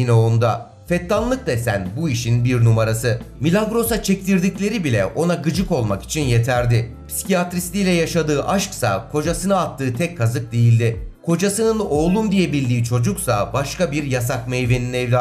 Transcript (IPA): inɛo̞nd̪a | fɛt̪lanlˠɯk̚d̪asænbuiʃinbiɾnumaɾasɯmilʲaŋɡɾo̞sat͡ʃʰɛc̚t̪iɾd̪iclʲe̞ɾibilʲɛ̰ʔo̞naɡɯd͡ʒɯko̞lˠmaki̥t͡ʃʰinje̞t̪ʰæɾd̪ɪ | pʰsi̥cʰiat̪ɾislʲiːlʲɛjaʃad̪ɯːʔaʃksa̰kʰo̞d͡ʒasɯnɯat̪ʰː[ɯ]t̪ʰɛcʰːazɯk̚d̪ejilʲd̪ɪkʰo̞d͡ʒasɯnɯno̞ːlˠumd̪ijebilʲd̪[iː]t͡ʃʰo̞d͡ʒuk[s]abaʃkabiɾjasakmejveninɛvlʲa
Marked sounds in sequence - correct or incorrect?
incorrect, correct, correct

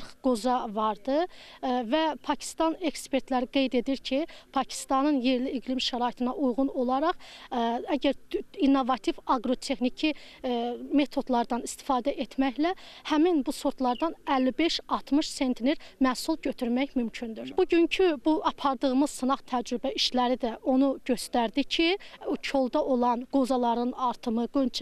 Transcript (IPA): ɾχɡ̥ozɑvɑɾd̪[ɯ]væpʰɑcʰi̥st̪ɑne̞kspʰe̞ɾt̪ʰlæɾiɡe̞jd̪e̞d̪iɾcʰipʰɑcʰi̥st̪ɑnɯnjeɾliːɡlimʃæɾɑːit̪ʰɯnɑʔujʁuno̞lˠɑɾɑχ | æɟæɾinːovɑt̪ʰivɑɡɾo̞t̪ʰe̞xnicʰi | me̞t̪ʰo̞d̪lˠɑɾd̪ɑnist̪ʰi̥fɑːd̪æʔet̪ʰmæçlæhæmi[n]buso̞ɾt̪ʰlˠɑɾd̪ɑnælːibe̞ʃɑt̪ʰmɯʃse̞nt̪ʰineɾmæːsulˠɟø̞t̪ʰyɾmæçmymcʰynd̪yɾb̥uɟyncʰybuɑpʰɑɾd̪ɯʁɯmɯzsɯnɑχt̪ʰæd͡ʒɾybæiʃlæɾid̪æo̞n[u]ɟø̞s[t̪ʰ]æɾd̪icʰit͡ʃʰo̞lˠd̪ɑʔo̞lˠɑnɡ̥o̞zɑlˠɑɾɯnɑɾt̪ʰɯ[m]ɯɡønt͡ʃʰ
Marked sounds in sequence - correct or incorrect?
correct, correct, correct, incorrect, correct

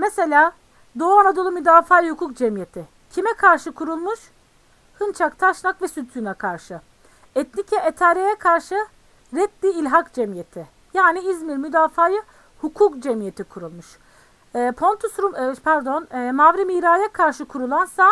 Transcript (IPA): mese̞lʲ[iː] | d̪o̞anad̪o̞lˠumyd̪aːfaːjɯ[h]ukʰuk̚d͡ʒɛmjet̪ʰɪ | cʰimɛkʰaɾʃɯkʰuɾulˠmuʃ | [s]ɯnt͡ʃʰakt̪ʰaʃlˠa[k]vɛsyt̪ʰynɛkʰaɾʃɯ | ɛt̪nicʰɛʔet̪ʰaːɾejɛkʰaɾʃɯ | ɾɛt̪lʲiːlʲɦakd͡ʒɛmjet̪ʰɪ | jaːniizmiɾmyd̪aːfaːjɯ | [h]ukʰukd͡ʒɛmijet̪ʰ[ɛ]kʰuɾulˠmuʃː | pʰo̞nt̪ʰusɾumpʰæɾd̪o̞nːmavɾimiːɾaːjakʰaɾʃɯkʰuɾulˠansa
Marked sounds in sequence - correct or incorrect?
incorrect, correct, incorrect, correct, correct, incorrect

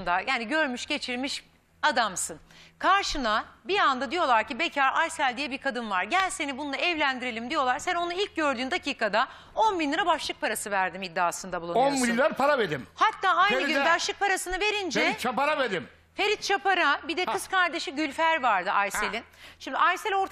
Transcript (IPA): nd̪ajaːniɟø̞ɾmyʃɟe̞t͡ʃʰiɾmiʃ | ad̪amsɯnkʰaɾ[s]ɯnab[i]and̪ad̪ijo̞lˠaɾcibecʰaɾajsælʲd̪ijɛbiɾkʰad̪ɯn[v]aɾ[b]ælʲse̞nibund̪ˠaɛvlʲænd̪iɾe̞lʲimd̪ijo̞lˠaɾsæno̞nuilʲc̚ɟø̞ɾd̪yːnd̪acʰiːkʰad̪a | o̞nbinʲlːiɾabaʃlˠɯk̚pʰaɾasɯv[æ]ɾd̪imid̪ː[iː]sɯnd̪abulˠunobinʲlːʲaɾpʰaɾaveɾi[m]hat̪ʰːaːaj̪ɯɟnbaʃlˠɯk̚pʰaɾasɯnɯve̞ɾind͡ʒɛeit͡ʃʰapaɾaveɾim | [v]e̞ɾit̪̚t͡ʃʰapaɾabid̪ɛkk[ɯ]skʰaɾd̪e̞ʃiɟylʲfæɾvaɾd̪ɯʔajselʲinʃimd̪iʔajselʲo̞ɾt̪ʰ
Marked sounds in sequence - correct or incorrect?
incorrect, correct, correct, incorrect, correct, incorrect, correct, incorrect, correct

